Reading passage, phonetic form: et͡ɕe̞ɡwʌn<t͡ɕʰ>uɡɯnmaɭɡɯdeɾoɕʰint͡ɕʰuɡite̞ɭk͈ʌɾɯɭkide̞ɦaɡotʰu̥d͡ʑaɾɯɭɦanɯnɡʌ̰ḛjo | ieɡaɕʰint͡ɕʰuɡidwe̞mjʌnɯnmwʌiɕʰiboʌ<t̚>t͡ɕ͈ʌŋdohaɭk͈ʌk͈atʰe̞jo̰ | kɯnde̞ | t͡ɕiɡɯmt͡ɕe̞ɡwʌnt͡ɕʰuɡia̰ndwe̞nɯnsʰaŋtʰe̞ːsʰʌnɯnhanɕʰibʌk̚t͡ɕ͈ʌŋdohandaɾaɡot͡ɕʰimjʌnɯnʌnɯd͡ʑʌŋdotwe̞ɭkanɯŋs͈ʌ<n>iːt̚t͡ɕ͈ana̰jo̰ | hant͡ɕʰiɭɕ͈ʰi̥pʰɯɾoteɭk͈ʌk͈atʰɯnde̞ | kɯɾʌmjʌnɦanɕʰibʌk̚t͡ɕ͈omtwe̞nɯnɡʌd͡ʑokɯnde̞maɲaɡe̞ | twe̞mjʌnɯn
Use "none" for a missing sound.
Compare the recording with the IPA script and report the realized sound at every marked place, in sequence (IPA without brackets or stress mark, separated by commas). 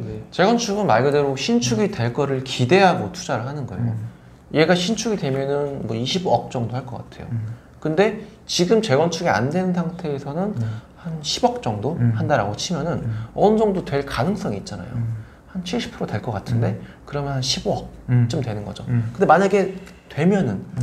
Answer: t͡ɕʰ, k̚, ŋ